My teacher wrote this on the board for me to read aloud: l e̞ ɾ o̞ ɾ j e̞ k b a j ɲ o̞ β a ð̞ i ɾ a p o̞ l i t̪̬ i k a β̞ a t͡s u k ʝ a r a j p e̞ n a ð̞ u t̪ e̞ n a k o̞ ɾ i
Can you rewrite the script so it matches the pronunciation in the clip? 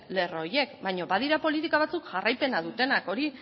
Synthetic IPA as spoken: l e̞ r o̞ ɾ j e̞ k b a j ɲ o̞ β a ð̞ i ɾ a p o̞ l i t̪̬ i k a β̞ a t͡s u k ʝ a r a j p e̞ n a ð̞ u t̪ e̞ n a k o̞ ɾ i